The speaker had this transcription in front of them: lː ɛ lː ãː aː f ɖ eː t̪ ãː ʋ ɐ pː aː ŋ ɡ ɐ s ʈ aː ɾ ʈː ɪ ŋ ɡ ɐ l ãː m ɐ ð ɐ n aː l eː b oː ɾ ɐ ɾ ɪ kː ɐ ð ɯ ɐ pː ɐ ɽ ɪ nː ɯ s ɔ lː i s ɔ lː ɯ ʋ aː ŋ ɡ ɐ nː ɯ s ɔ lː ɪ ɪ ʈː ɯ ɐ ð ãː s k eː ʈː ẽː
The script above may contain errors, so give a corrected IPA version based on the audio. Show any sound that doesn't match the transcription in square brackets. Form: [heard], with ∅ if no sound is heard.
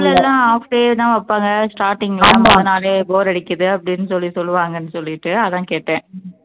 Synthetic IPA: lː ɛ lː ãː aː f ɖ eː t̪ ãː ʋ ɐ pː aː ŋ ɡ ɐ s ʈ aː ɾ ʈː ɪ ŋ ɡ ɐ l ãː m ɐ ð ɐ n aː l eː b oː ɾ ɐ [ɽ] ɪ kː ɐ ð ɯ ɐ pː ɐ ɽ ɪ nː ɯ s ɔ lː i s ɔ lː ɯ ʋ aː ŋ ɡ ɐ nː ɯ s ɔ lː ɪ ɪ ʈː ɯ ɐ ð ãː [∅] k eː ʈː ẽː

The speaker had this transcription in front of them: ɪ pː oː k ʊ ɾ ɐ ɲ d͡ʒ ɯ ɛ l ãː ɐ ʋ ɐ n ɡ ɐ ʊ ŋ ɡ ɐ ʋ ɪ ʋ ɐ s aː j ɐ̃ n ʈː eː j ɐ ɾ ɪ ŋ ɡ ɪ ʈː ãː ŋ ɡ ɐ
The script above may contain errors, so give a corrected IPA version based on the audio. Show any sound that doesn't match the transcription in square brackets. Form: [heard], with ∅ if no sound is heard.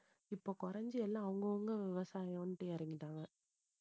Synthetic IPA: ɪ pː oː k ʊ ɾ ɐ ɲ d͡ʒ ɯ ɛ [lː] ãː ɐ ʋ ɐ [ŋ] ɡ ɐ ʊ ŋ ɡ ɐ ʋ ɪ ʋ ɐ s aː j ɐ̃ n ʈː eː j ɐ ɾ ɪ ŋ ɡ ɪ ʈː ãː ŋ ɡ ɐ

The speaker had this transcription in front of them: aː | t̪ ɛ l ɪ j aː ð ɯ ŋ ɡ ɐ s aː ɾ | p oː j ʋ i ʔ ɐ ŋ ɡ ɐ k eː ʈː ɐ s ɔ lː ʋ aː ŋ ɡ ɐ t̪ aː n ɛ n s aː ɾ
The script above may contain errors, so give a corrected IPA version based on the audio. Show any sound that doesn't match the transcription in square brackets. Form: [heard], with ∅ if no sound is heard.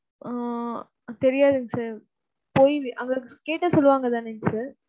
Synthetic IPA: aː | t̪ ɛ [ɾ] ɪ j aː ð ɯ ŋ ɡ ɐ s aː ɾ | p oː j ʋ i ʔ ɐ ŋ ɡ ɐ k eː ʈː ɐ s ɔ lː ʋ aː ŋ ɡ ɐ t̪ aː n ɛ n s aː ɾ

